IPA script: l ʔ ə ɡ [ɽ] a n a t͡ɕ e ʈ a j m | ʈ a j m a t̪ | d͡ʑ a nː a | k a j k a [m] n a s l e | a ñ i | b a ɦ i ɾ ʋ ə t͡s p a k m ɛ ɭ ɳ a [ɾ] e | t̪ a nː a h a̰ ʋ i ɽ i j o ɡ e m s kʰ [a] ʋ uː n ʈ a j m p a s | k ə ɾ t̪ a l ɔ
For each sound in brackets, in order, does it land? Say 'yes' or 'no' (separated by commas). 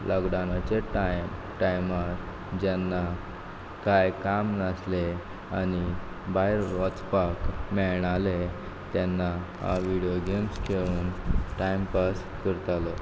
yes, yes, no, no